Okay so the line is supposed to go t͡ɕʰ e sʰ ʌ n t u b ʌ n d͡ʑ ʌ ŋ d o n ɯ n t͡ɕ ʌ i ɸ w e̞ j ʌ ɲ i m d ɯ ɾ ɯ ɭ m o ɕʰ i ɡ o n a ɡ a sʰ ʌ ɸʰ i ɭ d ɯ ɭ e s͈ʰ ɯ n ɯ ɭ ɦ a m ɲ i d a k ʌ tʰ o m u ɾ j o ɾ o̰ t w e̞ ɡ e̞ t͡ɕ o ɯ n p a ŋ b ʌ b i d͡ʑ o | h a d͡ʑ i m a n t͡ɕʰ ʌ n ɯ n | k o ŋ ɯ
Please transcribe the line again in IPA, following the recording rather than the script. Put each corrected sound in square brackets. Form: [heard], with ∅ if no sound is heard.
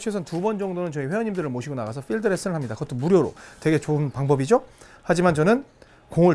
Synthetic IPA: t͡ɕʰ e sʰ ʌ n t u b ʌ n d͡ʑ ʌ ŋ d o n ɯ n t͡ɕ ʌ i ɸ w e̞ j ʌ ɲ i m d ɯ ɾ ɯ ɭ m o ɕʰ i ɡ o n a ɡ a sʰ ʌ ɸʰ i ɭ d ɯ [ɾ] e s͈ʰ ɯ n ɯ ɭ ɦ a m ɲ i d a k ʌ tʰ o m u ɾ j o ɾ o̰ t w e̞ ɡ e̞ t͡ɕ o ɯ n p a ŋ b ʌ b i d͡ʑ o | h a d͡ʑ i m a n [t͡ɕ] ʌ n ɯ n | k o ŋ ɯ